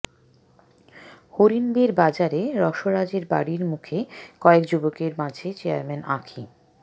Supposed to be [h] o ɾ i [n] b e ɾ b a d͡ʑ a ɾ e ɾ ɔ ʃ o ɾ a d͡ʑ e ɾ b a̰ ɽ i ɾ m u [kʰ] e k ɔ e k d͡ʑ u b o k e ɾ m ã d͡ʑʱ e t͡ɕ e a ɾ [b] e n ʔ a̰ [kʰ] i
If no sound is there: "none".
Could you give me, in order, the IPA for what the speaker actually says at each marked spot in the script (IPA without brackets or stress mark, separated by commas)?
h, n, kʰ, m, kʰ